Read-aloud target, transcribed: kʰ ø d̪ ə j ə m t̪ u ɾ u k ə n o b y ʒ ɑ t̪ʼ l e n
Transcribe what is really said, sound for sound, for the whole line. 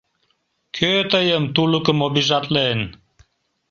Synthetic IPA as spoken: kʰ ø t̪ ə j ə m t̪ u l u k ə m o b i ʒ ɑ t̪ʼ l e n